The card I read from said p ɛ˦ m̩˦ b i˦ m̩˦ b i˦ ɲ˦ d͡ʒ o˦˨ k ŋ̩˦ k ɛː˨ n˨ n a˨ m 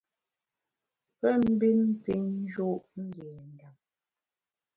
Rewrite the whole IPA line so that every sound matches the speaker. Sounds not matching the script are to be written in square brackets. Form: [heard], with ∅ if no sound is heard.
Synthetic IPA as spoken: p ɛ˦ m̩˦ b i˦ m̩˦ [p] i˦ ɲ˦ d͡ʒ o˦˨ [ʔ] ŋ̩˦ [ɡ] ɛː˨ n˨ [d] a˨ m